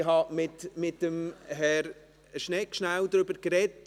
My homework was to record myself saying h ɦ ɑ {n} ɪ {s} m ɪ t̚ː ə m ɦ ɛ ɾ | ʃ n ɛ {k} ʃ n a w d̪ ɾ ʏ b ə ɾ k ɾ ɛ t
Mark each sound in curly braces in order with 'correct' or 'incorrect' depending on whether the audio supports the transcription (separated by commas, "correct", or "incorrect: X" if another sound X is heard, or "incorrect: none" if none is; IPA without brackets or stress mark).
incorrect: m, incorrect: t, correct